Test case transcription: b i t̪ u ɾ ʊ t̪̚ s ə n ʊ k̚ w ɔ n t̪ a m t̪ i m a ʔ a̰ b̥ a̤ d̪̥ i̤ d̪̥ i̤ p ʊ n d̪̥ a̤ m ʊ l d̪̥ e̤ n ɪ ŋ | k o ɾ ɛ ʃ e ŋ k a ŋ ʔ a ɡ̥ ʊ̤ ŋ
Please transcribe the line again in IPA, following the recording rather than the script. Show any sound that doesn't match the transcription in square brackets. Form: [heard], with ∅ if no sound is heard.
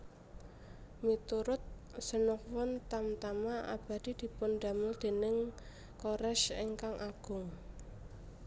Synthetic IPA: [m] i t̪ u ɾ ʊ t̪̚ s ə n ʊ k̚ w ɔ n t̪ a m t̪ [a] m a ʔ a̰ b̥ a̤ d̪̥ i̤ d̪̥ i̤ p ʊ n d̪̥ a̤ m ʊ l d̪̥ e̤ n ɪ ŋ | k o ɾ ɛ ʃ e ŋ k a ŋ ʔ a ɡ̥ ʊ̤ ŋ